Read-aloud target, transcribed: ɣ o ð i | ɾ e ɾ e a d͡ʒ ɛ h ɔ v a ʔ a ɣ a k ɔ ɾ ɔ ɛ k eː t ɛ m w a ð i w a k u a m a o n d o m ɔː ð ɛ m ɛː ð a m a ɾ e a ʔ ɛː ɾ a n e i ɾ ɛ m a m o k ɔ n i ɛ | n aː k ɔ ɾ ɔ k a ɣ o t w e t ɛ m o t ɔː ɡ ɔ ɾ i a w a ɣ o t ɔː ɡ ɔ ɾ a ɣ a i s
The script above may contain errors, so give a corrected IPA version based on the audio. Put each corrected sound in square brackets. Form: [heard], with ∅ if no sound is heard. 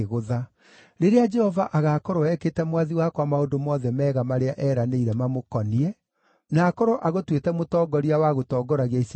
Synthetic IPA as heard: ɣ o ð [a] | ɾ e ɾ e a d͡ʒ ɛ h ɔ v a ʔ a ɣ a k ɔ ɾ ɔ ɛ k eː t ɛ m w a ð i w a k [w] a m a o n d o m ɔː ð ɛ m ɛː [ɣ] a m a ɾ e a ʔ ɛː ɾ a n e i ɾ ɛ m a m o k ɔ n i ɛ | n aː k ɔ ɾ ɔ [ʔ] a ɣ o t w e t ɛ m o t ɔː ɡ ɔ ɾ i a w a ɣ o t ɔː ɡ ɔ ɾ a ɣ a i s

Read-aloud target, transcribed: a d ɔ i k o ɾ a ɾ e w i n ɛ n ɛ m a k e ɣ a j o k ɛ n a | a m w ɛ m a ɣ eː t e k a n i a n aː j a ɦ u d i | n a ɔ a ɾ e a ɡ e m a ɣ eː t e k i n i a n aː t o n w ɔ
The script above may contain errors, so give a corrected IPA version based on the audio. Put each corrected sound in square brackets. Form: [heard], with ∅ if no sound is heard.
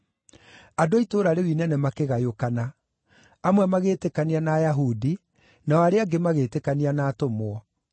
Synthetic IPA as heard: a d [o] i [t] o ɾ a ɾ e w i n ɛ n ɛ m a k e ɣ a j o k [a] n a | a m w ɛ m a ɣ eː t e k a n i a n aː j a ɦ u d i | n a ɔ a ɾ e a ɡ e m a ɣ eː t e k [a] n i a n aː t o [m] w ɔ

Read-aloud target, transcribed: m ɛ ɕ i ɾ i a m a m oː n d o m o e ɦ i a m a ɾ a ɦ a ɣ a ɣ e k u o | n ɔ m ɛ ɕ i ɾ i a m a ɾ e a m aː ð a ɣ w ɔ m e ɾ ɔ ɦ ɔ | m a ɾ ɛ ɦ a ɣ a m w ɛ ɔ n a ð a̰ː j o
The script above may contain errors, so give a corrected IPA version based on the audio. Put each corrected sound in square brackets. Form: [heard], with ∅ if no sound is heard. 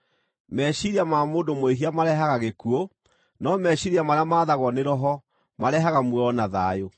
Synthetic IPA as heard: m ɛ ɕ i ɾ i a m a m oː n d o m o e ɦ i a m a ɾ [ɛ] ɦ a ɣ a ɣ e k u o | n ɔ m ɛ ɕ i ɾ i a m a ɾ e a m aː ð a ɣ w ɔ [n] e ɾ ɔ ɦ ɔ | m a ɾ ɛ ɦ a ɣ a m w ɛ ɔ n a ð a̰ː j o

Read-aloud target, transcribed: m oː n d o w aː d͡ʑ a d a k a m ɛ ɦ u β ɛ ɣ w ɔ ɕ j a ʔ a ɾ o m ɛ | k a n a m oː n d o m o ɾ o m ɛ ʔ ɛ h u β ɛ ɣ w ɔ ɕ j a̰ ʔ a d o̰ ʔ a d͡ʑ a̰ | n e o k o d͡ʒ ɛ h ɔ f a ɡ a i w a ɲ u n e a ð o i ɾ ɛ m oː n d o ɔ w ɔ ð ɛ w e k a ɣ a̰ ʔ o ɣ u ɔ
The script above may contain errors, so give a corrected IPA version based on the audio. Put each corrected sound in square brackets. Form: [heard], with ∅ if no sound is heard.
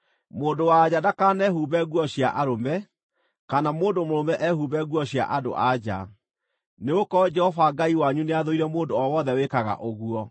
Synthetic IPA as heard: m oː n d o w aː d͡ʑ a d a k a [n] ɛ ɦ u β ɛ ɣ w ɔ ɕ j a ʔ a ɾ o m ɛ | k a n a m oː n d o m o ɾ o m ɛ ʔ ɛ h u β ɛ ɣ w ɔ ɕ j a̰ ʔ a d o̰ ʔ a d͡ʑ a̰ | n e o k [ɔ] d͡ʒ ɛ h ɔ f a ɡ a i w a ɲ u n e a ð o i ɾ ɛ m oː n d o ɔ w ɔ ð ɛ w e k a ɣ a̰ ʔ o ɣ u ɔ

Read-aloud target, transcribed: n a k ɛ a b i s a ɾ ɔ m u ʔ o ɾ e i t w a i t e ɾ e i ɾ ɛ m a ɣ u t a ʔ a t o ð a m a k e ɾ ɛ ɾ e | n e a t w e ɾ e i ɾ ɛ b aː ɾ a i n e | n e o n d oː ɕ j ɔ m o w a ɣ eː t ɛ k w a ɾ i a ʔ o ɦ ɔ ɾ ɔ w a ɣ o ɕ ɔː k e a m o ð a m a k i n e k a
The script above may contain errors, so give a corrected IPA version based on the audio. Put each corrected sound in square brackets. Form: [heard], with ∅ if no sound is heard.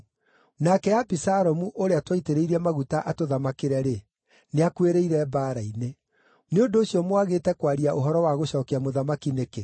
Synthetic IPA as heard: n a k ɛ a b i s a ɾ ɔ m u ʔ o ɾ e [a] t w a i t e ɾ e i ɾ ɛ m a ɣ u t a ʔ a t o ð a m a k e ɾ ɛ ɾ e | n e a [k] w e ɾ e i ɾ ɛ b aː ɾ a i n e | n e o n d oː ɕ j ɔ m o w a ɣ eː t ɛ k w a ɾ i a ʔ o ɦ ɔ ɾ ɔ w a ɣ o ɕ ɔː k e a m o ð a m a k i n e k [e]

